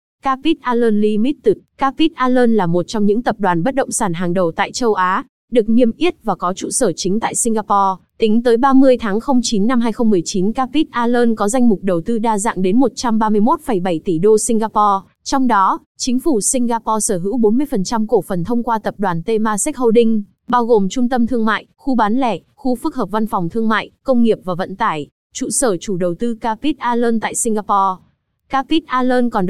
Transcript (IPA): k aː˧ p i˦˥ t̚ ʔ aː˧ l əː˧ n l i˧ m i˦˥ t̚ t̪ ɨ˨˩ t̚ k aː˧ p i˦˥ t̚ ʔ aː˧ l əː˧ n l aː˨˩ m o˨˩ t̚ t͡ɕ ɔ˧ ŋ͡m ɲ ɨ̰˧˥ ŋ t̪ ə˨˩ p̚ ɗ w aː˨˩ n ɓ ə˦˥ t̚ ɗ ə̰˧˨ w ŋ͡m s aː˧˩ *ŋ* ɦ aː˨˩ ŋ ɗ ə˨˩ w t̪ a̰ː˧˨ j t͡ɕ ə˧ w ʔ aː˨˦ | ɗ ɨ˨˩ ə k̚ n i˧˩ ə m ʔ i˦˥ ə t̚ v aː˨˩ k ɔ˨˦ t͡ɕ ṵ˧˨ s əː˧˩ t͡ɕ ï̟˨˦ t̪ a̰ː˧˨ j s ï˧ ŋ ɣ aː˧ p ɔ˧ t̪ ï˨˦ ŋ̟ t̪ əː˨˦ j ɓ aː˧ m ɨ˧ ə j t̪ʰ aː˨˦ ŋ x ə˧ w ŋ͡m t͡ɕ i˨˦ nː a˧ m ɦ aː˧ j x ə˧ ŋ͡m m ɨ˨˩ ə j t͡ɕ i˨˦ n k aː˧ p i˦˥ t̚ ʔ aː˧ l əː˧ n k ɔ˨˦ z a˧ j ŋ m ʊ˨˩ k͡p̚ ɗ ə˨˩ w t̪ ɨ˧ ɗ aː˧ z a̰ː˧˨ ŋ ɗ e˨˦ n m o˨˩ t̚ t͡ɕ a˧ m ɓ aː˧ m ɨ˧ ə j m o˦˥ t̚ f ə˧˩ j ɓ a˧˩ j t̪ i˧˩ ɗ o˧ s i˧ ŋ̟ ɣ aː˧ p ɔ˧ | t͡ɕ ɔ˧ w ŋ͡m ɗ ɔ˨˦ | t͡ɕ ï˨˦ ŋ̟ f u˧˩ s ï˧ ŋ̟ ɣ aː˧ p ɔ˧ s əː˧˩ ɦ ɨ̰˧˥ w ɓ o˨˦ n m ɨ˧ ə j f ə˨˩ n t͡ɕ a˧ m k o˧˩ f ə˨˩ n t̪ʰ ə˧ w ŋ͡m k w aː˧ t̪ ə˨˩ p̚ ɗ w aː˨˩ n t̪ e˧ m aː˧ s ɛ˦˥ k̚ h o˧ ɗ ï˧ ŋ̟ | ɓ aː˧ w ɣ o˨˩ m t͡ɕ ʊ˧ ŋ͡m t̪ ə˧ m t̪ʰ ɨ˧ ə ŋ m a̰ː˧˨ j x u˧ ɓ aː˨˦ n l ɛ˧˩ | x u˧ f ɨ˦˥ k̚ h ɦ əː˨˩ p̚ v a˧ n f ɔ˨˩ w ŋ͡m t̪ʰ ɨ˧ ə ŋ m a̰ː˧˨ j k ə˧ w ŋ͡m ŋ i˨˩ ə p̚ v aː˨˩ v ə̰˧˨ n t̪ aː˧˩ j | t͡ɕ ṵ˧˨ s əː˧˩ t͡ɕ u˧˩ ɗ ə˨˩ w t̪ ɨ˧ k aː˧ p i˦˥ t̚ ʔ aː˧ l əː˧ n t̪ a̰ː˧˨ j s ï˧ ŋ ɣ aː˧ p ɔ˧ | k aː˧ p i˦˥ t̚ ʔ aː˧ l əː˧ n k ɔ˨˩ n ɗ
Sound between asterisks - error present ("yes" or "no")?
yes